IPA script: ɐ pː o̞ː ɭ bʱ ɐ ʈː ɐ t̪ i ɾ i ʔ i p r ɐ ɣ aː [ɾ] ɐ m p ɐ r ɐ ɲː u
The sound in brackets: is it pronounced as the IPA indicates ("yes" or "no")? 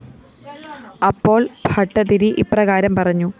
yes